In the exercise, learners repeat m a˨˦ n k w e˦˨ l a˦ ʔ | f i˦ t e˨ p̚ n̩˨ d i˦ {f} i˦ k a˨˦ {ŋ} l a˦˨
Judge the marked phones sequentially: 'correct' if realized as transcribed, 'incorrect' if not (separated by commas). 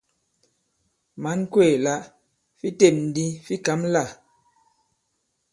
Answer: correct, incorrect